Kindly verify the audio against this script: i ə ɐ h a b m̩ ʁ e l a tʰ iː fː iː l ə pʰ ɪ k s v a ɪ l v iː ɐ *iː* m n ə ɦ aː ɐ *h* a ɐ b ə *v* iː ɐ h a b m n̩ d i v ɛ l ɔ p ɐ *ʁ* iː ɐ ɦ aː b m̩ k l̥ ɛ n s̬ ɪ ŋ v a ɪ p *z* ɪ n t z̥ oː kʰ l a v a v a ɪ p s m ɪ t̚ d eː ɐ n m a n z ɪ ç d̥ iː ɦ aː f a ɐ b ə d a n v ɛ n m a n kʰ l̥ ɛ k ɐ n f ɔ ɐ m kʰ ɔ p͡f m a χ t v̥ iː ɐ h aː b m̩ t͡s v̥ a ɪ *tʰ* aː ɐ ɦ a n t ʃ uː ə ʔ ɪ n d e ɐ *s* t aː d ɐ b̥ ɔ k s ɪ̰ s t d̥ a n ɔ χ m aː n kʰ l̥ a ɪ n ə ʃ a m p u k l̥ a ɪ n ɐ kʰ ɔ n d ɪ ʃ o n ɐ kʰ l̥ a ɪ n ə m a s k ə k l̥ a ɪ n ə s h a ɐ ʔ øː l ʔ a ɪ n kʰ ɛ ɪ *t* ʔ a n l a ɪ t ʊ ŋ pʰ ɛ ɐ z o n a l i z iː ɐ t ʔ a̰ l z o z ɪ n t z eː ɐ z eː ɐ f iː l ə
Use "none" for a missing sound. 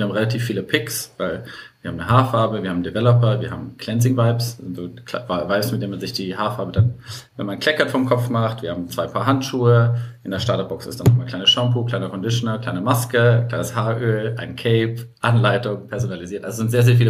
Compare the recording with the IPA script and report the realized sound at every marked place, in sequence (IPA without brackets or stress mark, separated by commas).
aː, f, v, v, s, pʰ, ʃ, p